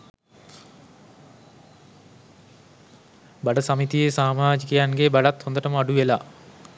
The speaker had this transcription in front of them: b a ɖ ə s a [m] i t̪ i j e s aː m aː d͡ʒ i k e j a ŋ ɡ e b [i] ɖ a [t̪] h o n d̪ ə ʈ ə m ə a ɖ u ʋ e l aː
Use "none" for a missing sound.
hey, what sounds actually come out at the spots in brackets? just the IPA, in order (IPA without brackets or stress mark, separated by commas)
m, a, t̪